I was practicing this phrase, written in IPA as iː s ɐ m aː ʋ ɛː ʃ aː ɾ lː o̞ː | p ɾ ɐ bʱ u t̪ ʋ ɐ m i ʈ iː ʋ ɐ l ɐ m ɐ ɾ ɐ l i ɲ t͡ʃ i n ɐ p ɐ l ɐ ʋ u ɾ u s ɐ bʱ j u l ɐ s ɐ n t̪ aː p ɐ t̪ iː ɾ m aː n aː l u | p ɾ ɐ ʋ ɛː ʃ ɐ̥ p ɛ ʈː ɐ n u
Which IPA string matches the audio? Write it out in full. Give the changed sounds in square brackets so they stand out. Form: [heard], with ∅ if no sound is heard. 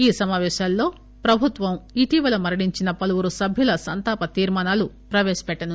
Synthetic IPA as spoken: iː s ɐ m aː ʋ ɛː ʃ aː [∅] lː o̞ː | p ɾ ɐ bʱ u t̪ ʋ ɐ m i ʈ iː ʋ ɐ l ɐ m ɐ ɾ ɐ [ɽ] i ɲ t͡ʃ i n ɐ p ɐ l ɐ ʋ u ɾ u s ɐ bʱ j u l ɐ s ɐ n t̪ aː p ɐ t̪ iː ɾ m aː n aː l u | p ɾ ɐ ʋ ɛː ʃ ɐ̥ p ɛ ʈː ɐ n u